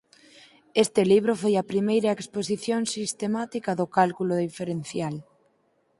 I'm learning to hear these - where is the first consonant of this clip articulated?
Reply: tongue tip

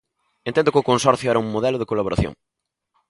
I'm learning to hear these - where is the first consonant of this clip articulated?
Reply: tongue tip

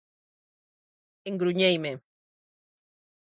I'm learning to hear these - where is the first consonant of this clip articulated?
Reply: velum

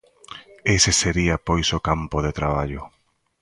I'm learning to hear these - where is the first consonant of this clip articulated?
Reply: tongue tip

